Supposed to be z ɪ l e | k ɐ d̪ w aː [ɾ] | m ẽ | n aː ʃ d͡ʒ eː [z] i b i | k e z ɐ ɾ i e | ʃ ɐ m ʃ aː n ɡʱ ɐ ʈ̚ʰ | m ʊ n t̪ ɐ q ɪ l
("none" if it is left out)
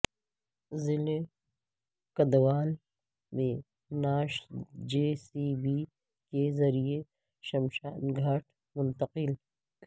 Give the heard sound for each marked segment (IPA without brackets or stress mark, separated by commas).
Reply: l, s